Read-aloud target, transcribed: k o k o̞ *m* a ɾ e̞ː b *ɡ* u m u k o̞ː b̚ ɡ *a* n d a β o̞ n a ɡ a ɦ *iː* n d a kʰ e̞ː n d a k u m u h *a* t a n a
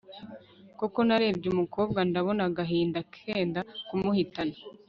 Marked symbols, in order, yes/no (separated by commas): no, no, yes, yes, no